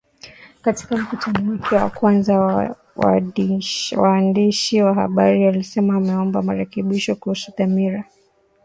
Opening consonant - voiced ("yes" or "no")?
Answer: no